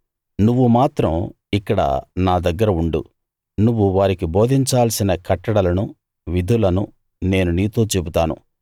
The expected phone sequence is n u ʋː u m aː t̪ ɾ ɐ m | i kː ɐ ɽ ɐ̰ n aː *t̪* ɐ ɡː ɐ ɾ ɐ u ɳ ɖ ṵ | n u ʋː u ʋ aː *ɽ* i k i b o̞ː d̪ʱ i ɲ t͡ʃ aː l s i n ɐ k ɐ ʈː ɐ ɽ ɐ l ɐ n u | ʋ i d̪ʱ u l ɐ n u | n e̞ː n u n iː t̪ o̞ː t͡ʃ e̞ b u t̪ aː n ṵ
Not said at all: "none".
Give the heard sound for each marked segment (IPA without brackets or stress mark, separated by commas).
d̪, ɾ